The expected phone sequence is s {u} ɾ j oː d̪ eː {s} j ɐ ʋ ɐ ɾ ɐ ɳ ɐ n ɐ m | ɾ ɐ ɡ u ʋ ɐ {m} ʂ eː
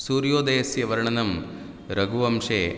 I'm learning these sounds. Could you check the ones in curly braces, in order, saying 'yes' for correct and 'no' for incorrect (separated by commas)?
no, yes, yes